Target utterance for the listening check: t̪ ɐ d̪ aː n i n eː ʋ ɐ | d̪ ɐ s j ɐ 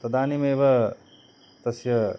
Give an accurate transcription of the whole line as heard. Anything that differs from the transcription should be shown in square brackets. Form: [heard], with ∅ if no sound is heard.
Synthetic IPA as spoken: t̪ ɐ d̪ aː n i [m] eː ʋ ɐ | [t̪] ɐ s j ɐ

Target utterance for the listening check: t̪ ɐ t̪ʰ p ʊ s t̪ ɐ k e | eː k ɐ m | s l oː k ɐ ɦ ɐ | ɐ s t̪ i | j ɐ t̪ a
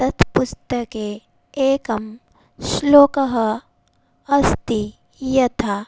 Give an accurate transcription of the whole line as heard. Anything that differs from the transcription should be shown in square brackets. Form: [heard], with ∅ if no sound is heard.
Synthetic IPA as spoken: t̪ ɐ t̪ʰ p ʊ s t̪ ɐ k e | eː k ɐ m | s l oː k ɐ ɦ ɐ | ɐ s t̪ i | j ɐ [t̪ʰ] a

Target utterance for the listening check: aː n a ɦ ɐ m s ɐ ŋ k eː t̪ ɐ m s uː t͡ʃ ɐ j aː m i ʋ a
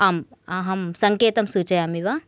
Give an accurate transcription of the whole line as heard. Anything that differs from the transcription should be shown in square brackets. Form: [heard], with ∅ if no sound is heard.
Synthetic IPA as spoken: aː [m] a ɦ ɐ m s ɐ ŋ k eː t̪ ɐ m s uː t͡ʃ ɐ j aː m i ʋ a

